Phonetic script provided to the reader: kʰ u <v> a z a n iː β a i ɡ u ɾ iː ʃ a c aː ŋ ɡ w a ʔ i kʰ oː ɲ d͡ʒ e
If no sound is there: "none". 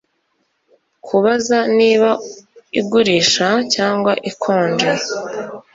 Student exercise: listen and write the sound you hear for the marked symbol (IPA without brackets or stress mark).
β